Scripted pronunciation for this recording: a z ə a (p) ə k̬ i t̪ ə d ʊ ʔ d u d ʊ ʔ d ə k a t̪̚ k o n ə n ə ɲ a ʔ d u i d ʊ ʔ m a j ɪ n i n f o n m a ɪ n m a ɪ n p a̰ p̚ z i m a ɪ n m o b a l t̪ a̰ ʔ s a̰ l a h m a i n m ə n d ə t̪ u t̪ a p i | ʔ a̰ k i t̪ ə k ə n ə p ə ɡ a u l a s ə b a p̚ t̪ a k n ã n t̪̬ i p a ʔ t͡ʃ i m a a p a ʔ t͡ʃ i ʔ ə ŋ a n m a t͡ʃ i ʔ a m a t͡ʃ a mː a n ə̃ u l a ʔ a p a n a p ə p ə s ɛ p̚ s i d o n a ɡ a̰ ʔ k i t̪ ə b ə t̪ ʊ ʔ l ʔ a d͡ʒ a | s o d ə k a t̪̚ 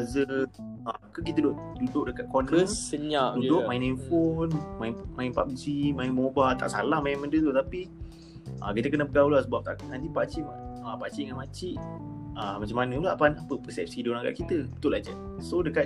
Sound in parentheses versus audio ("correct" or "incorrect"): incorrect